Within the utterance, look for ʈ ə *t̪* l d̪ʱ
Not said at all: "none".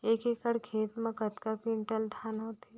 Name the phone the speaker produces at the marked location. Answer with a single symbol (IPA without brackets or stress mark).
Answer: none